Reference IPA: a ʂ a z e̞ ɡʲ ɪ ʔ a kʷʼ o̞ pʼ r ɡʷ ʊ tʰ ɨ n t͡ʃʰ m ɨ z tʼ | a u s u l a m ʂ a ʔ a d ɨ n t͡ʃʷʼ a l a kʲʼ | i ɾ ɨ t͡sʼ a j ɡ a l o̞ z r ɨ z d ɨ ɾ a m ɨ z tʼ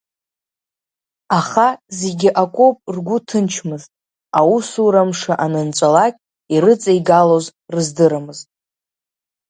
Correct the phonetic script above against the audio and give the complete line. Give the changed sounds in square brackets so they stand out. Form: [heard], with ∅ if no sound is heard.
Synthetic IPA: a [χ] a z e̞ ɡʲ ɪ ʔ a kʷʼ o̞ pʼ r ɡʷ ʊ tʰ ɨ n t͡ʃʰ m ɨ z tʼ | a u s u [ɾ] a m ʂ a ʔ a [n] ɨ n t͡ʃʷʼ a l a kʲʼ | i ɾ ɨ t͡sʼ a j ɡ a l o̞ z r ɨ z d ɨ ɾ a m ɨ z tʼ